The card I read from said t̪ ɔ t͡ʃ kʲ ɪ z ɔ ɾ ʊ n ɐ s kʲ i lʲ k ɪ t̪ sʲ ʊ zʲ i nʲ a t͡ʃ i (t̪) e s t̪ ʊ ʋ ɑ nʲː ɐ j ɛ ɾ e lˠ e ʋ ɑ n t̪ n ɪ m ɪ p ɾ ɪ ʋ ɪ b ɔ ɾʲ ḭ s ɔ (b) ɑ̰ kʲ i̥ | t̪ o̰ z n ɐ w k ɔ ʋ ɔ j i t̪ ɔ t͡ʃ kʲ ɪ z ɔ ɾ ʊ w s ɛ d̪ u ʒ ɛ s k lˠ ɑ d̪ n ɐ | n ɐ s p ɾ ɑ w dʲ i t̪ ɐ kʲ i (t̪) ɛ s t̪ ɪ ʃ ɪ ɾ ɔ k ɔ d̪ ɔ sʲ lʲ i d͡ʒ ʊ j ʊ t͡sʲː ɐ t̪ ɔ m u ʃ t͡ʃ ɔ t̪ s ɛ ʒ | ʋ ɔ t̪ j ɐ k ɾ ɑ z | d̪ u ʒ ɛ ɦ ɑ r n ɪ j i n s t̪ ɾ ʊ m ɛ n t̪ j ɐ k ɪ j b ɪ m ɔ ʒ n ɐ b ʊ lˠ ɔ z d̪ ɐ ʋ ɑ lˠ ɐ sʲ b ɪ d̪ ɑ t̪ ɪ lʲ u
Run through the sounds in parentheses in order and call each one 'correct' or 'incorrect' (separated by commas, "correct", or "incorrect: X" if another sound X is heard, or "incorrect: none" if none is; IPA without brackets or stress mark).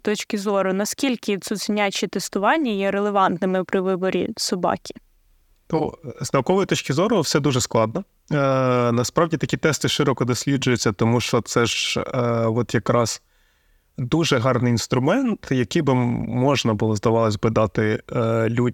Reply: correct, correct, correct